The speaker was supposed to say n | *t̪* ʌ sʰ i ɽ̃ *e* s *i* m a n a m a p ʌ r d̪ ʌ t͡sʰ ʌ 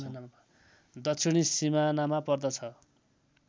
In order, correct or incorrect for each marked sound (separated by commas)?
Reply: incorrect, incorrect, correct